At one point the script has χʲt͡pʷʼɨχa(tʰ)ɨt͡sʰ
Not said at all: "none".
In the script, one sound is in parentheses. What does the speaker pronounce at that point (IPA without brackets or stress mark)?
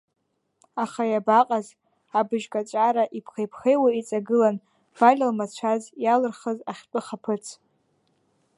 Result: pʰ